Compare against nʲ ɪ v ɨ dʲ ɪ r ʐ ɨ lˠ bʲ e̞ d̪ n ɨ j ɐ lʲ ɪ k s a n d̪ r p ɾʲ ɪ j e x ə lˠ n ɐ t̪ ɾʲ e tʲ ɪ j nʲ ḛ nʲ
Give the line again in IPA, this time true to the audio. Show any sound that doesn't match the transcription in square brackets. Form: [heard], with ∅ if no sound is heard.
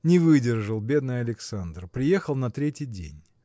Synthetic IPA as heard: nʲ ɪ v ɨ dʲ ɪ r ʐ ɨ lˠ bʲ e̞ d̪ n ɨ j ɐ lʲ ɪ k s a n d̪ r p ɾʲ ɪ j e x ə lˠ n ɐ t̪ ɾʲ e tʲ ɪ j [dʲ] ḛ nʲ